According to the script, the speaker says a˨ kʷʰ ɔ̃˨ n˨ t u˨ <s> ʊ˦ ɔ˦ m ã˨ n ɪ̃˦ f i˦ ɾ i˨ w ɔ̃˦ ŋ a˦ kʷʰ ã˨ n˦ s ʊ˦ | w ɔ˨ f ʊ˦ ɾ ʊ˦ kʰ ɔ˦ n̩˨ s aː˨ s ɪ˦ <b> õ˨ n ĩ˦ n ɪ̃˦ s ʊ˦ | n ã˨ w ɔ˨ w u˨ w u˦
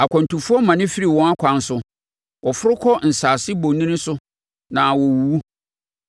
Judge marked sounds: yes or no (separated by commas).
no, yes